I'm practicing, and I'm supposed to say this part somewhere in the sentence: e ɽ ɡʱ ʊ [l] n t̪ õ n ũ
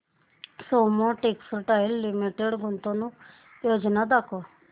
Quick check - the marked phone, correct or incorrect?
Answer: incorrect